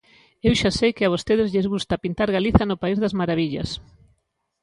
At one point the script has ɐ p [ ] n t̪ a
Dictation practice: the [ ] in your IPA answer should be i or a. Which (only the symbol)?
i